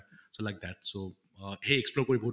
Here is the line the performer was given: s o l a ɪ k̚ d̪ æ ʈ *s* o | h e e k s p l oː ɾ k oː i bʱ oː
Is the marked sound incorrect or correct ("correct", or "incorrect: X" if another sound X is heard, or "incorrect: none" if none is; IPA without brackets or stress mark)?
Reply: correct